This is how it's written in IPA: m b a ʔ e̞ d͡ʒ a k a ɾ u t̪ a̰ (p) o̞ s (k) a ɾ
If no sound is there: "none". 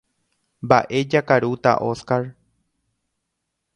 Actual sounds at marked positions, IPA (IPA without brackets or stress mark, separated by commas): ʔ, k